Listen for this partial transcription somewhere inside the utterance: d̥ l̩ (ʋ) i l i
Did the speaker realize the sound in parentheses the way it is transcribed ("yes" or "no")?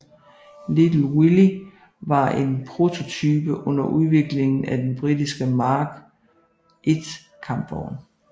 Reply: no